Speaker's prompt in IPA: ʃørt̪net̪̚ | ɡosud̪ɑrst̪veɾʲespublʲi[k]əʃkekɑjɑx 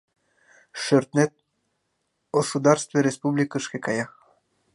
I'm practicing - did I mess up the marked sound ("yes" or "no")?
no